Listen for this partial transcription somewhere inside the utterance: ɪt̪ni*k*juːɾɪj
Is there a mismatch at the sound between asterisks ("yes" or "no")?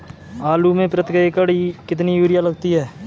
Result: yes